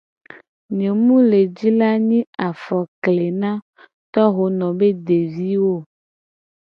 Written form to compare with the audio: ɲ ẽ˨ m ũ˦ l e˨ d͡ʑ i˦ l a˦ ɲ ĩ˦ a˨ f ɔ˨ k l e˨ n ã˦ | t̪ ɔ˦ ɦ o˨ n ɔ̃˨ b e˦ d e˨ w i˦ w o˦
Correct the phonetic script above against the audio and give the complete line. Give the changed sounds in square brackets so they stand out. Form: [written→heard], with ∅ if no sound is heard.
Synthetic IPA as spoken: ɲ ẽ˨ m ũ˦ l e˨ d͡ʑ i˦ l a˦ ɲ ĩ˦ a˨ f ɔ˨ k l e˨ n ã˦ | t̪ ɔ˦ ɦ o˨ n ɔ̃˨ b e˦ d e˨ [w→v] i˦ w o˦

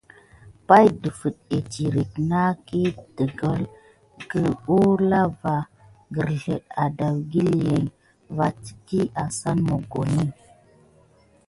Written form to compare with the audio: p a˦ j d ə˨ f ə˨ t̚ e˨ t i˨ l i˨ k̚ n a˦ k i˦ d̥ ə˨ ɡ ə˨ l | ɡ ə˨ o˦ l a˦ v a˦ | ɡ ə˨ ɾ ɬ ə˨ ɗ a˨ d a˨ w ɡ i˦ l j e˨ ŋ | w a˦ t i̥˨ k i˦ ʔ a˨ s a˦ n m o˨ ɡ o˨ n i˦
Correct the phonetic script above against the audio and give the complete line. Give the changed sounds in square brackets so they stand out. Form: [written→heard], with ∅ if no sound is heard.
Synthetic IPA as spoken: p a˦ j d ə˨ f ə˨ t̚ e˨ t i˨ [l→ɾ] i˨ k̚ n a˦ k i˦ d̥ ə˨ ɡ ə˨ l | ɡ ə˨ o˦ l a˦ v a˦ | ɡ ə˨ ɾ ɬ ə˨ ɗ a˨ d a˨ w ɡ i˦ l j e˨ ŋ | [w→v] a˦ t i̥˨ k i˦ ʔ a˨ s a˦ n m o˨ ɡ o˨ n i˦

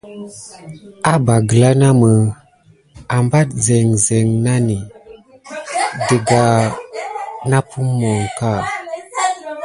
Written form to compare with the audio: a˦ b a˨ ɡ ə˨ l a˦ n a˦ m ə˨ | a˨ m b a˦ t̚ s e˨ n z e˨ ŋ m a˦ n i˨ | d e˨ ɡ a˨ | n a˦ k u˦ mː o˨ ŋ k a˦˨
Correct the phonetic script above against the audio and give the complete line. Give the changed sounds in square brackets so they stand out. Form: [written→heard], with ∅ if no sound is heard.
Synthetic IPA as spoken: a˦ b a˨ ɡ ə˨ l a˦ n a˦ m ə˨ | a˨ m b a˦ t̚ [s→z] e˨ [n→ŋ] z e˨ ŋ [m→n] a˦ n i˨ | d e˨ ɡ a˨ | n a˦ [k→p] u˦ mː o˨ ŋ k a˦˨

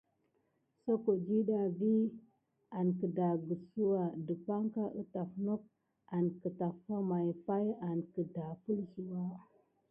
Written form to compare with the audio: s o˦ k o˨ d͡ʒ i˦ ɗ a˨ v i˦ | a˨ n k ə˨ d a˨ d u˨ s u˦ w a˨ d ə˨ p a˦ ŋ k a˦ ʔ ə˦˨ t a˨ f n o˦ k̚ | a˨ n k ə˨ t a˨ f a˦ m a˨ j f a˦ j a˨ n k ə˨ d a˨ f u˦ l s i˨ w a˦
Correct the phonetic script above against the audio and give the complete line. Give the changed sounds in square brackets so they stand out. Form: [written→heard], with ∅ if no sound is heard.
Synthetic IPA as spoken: s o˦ k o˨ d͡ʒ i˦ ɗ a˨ v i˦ | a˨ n k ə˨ d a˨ [d→ɡ] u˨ s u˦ w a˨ d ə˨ p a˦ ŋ k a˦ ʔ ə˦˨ t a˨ f n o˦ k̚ | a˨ n k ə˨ t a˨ f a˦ m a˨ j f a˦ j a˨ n k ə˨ d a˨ f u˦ l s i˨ w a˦

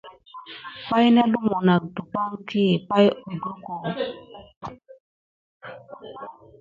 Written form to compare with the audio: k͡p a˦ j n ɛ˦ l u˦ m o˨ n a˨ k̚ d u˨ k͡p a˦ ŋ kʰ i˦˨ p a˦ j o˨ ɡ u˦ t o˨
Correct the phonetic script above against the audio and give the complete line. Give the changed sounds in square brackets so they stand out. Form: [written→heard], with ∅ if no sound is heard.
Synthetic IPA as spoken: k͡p a˦ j n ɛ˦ l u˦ m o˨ n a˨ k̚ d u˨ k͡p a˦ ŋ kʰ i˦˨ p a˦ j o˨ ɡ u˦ [t→k] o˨

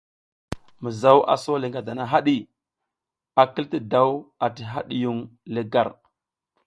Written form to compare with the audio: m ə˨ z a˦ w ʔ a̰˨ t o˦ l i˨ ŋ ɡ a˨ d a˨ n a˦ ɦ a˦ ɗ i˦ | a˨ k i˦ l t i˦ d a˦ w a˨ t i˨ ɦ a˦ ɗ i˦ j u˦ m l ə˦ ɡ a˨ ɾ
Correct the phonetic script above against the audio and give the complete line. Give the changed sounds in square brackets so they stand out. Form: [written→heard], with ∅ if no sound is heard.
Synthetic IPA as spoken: m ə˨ z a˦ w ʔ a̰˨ [t→s] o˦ l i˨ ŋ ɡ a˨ d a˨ n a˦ ɦ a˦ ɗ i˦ | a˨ k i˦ l t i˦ d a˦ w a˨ t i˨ ɦ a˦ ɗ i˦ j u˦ [m→ŋ] l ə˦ ɡ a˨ ɾ

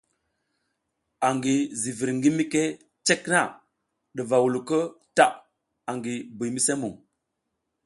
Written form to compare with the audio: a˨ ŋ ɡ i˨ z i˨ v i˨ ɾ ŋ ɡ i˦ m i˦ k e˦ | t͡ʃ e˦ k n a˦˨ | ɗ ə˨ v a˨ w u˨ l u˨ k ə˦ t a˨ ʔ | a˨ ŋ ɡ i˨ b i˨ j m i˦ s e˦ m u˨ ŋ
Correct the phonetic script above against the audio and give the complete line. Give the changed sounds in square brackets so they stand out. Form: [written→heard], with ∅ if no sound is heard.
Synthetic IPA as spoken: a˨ ŋ ɡ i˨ z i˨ v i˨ ɾ ŋ ɡ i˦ m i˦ k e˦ | t͡ʃ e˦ k n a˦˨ | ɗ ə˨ v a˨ w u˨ l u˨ k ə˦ t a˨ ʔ | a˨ ŋ ɡ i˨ b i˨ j m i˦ s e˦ m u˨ ŋ

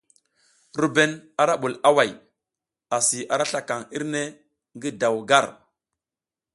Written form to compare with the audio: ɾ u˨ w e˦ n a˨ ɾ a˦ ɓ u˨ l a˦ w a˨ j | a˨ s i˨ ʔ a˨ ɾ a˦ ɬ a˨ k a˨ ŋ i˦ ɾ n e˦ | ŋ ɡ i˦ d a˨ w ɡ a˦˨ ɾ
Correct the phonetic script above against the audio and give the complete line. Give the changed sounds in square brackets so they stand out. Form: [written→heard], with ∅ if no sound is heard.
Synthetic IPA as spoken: ɾ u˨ [w→b] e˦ n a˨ ɾ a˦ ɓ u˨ l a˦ w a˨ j | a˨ s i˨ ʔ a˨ ɾ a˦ ɬ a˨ k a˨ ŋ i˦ ɾ n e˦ | ŋ ɡ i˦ d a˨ w ɡ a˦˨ ɾ

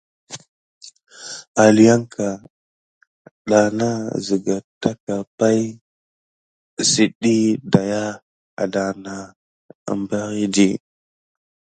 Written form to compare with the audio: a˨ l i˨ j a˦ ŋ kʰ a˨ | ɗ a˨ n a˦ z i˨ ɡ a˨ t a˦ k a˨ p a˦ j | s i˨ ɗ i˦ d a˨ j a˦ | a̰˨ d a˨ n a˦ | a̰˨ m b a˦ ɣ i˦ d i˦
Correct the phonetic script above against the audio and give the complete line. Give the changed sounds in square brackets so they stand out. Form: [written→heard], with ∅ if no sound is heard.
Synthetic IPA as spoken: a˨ l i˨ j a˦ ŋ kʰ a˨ | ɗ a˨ n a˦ z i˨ ɡ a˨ t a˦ k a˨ p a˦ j | s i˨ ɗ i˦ d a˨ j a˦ | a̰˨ d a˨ n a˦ | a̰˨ m b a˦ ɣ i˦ d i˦

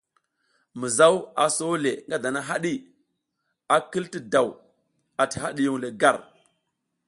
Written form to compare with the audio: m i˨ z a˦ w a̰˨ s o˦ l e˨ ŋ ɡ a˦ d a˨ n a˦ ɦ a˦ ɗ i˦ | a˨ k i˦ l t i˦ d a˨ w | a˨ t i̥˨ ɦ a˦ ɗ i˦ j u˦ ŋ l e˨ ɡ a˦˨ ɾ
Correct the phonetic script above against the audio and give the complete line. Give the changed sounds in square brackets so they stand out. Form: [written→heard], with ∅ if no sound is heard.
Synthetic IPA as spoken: m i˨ z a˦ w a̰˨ s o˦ l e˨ ŋ ɡ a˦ d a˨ n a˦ ɦ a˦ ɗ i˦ | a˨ k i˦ l t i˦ d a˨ w | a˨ t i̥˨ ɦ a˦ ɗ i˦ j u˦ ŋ l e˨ ɡ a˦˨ ɾ

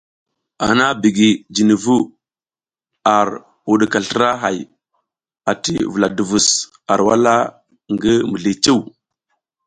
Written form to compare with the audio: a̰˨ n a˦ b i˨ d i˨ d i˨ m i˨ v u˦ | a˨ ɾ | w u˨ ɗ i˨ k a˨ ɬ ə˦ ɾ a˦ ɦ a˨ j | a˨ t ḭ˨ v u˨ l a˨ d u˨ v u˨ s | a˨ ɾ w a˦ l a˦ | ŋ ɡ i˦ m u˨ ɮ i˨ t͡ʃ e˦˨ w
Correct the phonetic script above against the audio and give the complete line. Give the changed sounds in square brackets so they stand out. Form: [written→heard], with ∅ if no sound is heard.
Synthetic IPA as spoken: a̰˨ n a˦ b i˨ [d→ɡ] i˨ [d→d͡ʒ] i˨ [m→n] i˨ v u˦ | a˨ ɾ | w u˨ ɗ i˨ k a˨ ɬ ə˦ ɾ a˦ ɦ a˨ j | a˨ t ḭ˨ v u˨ l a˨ d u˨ v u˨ s | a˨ ɾ w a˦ l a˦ | ŋ ɡ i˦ m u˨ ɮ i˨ t͡ʃ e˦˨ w

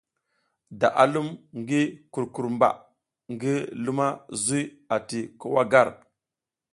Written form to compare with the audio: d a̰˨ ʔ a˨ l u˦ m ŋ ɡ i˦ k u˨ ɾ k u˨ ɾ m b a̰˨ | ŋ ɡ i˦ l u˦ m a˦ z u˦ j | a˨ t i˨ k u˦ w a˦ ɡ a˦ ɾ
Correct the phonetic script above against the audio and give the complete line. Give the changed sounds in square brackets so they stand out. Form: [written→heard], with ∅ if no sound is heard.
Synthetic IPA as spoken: d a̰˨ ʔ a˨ l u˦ m ŋ ɡ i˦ k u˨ ɾ k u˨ ɾ m b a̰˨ | ŋ ɡ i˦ l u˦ m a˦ z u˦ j | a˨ t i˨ k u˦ w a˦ ɡ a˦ ɾ

